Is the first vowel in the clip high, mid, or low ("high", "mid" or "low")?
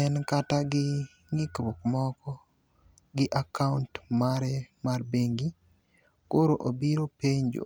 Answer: mid